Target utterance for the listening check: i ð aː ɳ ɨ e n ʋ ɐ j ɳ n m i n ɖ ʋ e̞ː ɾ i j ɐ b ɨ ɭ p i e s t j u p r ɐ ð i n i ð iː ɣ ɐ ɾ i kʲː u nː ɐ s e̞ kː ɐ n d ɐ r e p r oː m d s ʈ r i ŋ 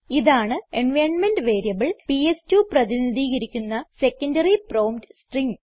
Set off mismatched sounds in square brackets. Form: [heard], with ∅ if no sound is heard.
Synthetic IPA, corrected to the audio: i ð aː ɳ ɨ e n ʋ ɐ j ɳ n m [e] n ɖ ʋ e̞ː ɾ i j ɐ b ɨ ɭ p i e s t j u p r ɐ ð i n i ð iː ɣ ɐ ɾ i kʲː u nː ɐ s e̞ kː ɐ n d ɐ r [i] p r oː m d s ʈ r i ŋ